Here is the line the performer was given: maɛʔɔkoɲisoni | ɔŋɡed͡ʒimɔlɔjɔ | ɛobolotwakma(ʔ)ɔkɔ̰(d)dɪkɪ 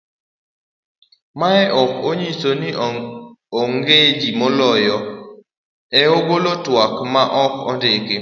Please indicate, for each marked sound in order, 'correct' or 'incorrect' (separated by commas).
correct, incorrect